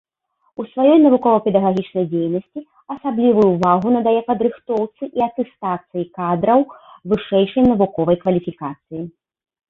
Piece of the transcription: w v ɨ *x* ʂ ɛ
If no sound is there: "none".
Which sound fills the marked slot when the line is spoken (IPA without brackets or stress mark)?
none